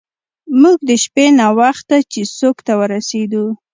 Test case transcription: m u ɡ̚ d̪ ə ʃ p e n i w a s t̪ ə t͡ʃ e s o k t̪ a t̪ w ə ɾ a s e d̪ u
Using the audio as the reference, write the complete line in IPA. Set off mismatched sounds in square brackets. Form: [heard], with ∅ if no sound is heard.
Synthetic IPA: m u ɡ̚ d̪ ə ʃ p e n [a] w a [x] t̪ [a] t͡ʃ e s o k t̪ a [∅] w ə ɾ a s e d̪ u